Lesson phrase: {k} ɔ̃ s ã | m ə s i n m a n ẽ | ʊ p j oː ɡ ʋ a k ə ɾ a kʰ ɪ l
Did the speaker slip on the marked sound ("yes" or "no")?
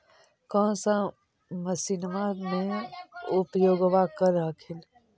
no